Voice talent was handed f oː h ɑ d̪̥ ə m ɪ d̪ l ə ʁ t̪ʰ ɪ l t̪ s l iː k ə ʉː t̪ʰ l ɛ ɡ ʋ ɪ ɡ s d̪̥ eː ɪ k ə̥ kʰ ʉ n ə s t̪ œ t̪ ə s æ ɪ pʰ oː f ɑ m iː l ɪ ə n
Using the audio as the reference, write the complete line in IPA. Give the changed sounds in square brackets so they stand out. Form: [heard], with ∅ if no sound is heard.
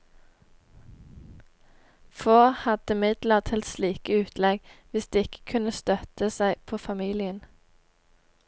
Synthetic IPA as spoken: f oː h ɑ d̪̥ ə m ɪ d̪ l ə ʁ t̪ʰ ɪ l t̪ s l iː k ə ʉː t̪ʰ l ɛ ɡ ʋ ɪ [∅] s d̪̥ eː ɪ k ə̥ kʰ ʉ n ə s t̪ œ t̪ ə s æ ɪ pʰ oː f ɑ m iː l ɪ ə n